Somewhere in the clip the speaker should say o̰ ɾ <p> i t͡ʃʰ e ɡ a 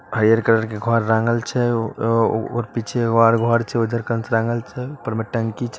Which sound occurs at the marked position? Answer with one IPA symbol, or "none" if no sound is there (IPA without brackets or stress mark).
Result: p